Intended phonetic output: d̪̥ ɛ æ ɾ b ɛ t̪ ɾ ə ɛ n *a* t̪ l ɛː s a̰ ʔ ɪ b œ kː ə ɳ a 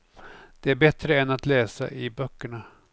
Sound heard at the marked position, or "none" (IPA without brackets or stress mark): a